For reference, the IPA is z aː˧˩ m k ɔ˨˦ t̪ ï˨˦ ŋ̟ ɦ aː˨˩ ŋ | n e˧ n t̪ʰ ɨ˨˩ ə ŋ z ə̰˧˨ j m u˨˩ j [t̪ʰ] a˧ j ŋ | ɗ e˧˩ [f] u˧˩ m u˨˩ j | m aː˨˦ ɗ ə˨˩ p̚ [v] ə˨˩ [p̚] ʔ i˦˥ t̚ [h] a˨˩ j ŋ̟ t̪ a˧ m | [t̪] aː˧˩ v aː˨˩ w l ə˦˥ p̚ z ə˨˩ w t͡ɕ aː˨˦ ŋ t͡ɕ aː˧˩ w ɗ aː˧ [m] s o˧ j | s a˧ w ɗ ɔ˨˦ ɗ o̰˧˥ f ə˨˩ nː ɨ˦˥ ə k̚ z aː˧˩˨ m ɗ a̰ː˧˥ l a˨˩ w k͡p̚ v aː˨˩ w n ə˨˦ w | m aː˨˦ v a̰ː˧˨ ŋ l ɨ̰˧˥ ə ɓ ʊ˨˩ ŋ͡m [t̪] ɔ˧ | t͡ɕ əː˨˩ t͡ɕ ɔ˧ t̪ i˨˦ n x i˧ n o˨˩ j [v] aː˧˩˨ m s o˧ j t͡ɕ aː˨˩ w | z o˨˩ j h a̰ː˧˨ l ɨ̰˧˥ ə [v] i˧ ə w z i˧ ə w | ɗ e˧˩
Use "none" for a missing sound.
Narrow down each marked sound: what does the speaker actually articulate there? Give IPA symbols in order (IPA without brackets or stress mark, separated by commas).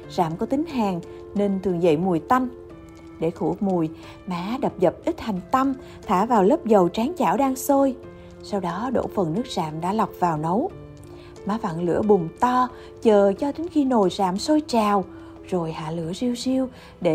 t̪, x, z, p̚, h, t̪ʰ, ŋ, t̪, z, z